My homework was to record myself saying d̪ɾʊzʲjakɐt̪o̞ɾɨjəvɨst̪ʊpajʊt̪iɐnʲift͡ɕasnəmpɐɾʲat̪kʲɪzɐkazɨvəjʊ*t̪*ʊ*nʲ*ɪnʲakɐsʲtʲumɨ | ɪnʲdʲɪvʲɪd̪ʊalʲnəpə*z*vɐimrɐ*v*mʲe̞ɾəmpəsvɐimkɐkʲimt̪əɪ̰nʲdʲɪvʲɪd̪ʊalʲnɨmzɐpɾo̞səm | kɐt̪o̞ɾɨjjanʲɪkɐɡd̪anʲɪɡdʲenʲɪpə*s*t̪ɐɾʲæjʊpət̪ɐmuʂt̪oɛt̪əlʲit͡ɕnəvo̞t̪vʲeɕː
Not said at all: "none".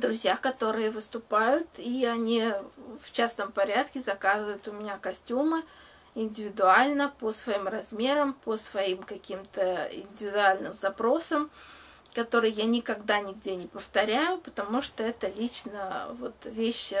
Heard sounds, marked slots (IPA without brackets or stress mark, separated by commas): t̪, mʲ, s, z, f